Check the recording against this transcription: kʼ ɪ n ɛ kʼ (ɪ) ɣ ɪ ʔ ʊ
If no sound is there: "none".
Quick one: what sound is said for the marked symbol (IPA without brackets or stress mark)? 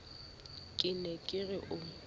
ɪ